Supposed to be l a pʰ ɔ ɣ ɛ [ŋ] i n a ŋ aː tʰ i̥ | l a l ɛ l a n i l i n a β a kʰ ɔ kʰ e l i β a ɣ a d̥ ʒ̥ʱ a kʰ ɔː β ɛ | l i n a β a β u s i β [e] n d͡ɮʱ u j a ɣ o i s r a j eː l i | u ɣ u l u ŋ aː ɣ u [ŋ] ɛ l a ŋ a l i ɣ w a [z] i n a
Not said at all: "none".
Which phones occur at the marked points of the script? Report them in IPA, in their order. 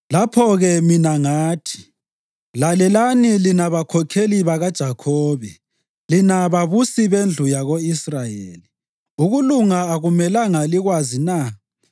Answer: m, e, m, z

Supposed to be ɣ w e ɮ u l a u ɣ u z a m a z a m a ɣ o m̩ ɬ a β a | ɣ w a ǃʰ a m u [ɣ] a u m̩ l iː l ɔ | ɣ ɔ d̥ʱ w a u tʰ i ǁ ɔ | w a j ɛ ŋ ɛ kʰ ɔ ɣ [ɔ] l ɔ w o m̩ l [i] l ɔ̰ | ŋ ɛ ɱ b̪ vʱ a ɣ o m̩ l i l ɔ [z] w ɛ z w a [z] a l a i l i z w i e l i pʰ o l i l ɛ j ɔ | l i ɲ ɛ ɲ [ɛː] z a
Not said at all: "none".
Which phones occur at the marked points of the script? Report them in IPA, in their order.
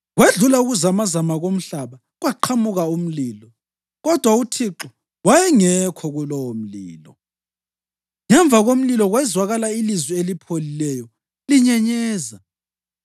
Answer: ɣ, u, iː, ɣ, ɣ, ɛː

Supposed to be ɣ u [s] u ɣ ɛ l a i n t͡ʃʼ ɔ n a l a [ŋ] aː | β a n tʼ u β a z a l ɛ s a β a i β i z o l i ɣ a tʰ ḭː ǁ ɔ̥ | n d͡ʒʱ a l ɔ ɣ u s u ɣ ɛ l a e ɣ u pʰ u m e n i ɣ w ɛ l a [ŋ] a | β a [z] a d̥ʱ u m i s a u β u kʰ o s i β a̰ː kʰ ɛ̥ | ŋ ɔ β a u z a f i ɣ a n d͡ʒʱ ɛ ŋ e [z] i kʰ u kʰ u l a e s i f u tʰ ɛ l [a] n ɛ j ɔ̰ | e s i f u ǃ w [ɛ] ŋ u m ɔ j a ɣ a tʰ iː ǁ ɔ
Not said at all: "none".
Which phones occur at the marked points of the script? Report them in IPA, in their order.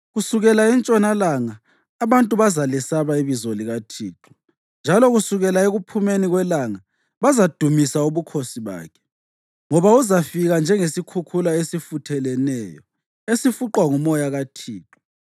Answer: s, ŋ, ŋ, z, s, ɛ, a

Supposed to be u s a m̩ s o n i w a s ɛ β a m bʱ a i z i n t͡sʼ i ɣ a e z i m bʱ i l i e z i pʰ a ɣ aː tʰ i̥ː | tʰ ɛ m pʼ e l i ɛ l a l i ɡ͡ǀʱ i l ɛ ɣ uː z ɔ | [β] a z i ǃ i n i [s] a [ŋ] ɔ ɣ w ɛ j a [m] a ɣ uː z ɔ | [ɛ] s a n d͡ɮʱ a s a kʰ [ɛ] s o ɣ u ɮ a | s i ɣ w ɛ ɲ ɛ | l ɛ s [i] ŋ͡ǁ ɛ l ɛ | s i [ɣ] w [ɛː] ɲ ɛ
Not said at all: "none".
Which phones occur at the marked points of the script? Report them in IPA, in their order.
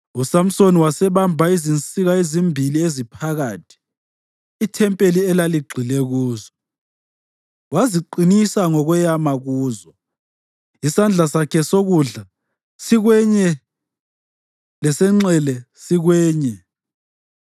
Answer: w, s, ŋ, m, i, ɛ, ɛ, ɣ, ɛː

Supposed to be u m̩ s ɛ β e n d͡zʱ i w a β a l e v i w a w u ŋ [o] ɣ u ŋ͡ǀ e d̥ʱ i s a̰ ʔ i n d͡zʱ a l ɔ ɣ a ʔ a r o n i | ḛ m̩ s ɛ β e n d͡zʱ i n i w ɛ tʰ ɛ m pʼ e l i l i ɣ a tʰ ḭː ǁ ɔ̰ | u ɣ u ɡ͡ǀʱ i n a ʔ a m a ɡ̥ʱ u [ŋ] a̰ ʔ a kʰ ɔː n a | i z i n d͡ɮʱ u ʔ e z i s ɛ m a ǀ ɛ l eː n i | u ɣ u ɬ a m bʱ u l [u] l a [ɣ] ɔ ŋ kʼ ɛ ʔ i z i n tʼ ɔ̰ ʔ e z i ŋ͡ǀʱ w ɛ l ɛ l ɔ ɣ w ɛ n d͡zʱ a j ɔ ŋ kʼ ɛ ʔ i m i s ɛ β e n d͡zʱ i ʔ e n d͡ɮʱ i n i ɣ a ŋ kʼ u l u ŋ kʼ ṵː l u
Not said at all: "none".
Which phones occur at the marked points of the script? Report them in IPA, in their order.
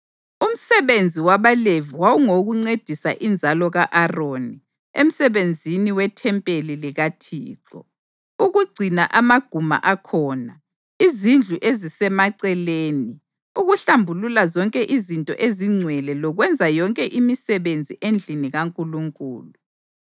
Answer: o, m, u, z

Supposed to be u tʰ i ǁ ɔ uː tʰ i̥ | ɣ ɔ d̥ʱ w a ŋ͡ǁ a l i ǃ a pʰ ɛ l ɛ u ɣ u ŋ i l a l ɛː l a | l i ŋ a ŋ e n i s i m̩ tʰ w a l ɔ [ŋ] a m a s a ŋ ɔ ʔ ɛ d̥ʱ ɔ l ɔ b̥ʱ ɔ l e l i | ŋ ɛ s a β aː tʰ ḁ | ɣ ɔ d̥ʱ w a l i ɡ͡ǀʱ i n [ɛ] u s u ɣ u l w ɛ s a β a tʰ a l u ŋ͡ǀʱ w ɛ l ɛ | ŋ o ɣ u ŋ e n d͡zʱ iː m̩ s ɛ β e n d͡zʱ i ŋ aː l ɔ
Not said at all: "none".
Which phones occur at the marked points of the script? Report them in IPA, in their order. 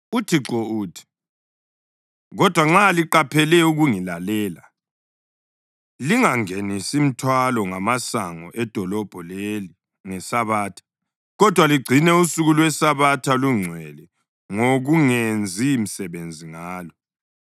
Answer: ŋ, ɛ

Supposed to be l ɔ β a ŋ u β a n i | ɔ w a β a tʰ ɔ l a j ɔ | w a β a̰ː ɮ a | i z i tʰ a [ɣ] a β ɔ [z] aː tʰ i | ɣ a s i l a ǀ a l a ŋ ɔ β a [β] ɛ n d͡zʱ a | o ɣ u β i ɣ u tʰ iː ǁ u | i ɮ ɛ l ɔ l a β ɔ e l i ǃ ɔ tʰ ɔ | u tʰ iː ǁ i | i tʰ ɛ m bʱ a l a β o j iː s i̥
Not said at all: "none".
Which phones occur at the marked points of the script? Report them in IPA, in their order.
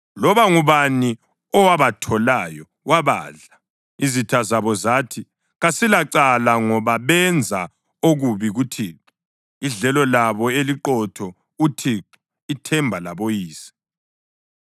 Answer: z, z, β

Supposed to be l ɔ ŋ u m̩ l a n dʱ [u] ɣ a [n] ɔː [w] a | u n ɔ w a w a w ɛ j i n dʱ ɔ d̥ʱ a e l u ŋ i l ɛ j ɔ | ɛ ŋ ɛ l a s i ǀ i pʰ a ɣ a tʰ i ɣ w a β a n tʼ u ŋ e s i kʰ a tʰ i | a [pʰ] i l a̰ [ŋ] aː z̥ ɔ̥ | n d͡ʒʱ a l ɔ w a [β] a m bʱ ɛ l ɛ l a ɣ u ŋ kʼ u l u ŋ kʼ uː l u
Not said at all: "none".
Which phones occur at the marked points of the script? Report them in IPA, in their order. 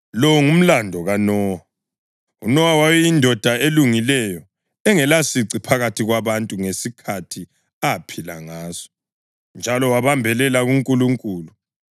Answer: ɔ, n, w, pʰ, ŋ, β

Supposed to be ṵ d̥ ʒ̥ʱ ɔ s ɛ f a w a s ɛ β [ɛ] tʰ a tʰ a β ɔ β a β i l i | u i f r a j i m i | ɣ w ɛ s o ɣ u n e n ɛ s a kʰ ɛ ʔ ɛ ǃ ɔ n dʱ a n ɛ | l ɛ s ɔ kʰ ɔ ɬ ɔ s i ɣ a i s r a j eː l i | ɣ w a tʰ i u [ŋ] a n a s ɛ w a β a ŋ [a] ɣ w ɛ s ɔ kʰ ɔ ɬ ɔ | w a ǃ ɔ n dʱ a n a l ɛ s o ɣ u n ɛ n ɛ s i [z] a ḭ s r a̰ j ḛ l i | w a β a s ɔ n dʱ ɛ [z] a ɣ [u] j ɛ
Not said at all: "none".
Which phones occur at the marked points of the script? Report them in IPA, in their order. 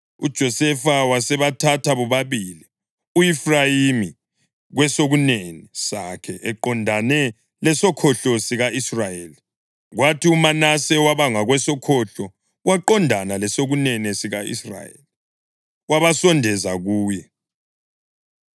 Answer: a, m, a, ɣ, z, uː

